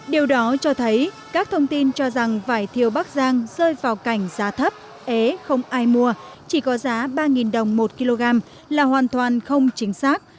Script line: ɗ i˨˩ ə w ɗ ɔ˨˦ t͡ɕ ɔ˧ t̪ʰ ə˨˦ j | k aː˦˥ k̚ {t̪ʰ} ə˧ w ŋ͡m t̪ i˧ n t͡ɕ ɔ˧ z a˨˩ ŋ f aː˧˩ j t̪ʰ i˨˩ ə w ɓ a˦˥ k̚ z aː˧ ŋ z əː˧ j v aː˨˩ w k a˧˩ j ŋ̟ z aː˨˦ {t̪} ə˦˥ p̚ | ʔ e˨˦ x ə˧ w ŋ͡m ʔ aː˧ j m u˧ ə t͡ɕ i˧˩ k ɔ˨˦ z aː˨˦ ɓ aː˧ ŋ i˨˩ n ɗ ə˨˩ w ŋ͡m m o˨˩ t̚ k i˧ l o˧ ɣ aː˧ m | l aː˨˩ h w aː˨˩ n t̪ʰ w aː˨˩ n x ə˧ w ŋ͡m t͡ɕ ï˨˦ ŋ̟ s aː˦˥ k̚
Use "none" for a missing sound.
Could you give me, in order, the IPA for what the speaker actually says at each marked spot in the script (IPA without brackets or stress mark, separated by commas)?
t̪ʰ, t̪ʰ